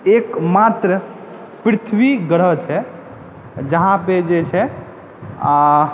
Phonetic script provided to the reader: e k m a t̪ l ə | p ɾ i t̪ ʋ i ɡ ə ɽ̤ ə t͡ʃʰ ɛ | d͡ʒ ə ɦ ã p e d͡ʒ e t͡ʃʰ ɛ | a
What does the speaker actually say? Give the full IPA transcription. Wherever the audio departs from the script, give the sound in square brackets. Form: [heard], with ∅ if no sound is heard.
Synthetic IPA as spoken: e k m a t̪ [ɾ] ə | p ɾ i [t̪ʰ] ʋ i ɡ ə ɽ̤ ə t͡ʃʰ ɛ | d͡ʒ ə ɦ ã p e d͡ʒ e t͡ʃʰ ɛ | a